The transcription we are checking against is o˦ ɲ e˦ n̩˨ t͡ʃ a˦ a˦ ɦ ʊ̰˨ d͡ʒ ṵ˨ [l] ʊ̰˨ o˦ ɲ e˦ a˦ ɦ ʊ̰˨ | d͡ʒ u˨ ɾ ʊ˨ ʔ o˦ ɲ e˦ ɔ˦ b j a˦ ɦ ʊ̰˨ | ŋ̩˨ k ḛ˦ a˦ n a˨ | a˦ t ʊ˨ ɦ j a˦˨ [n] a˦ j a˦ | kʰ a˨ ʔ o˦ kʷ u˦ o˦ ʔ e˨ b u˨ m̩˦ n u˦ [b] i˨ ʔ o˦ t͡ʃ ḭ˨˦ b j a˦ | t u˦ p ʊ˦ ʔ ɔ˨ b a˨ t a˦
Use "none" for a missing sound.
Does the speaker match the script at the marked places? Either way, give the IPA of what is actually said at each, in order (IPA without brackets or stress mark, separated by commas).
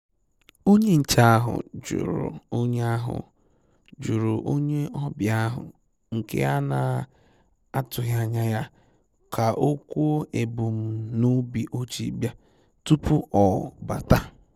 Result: ɾ, ɲ, b